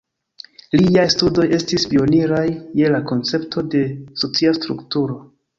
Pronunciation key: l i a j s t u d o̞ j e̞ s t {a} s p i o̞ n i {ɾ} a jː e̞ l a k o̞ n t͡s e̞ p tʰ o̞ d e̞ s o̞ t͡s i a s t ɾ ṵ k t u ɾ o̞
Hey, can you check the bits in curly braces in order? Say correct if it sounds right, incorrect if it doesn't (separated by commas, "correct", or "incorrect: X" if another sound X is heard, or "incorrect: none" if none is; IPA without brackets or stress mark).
incorrect: i, correct